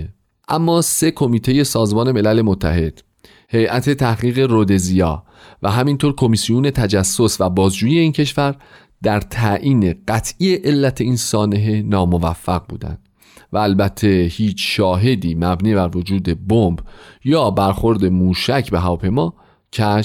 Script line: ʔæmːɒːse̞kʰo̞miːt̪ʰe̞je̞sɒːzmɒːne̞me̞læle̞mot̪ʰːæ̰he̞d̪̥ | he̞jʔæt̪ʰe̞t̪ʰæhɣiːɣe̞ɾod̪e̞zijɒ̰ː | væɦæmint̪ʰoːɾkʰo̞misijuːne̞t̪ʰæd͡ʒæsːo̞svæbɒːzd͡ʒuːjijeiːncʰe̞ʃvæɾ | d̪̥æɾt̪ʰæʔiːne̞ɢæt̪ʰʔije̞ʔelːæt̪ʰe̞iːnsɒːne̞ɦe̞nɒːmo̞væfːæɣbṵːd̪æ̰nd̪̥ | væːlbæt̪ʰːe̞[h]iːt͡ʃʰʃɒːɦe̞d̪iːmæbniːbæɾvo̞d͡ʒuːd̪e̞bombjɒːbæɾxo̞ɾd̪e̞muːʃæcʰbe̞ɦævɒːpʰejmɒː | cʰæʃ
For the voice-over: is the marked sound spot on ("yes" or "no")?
yes